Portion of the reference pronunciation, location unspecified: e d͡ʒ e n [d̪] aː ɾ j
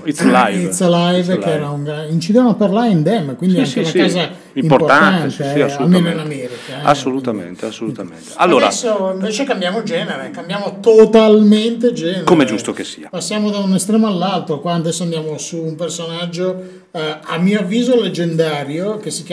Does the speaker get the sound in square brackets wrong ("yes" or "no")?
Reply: no